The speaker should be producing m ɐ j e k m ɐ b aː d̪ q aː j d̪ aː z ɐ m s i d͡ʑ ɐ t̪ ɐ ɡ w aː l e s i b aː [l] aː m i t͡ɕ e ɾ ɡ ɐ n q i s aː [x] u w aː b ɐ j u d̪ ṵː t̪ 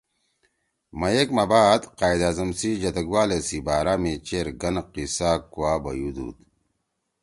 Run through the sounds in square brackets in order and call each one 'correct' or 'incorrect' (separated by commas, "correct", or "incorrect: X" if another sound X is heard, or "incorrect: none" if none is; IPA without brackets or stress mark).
incorrect: ɾ, incorrect: k